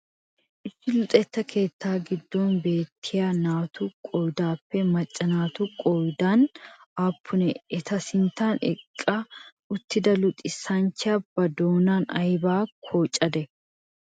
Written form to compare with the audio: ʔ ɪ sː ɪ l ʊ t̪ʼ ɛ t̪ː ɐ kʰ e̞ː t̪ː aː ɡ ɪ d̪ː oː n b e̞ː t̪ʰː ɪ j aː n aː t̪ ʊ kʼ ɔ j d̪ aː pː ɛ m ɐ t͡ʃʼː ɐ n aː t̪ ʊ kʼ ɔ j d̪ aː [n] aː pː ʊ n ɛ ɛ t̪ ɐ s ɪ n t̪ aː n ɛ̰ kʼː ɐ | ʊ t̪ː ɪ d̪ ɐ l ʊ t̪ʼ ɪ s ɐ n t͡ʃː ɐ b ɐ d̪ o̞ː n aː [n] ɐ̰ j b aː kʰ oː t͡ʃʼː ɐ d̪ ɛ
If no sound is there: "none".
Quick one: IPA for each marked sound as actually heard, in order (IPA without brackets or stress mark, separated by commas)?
n, n